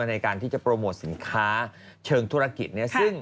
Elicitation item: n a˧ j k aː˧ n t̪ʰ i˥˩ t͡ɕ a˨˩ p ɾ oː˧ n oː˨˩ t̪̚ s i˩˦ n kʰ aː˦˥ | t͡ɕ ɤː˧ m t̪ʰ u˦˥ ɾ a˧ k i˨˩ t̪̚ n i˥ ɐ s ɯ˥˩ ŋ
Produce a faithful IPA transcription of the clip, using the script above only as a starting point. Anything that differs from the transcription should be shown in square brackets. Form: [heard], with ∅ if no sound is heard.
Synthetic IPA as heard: n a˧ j k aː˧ n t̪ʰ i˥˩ t͡ɕ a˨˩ p ɾ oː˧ [m] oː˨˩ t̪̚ s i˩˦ n kʰ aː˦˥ | [t͡ɕʰ] ɤː˧ [ŋ] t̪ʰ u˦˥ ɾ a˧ k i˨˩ t̪̚ n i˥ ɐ s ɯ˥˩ ŋ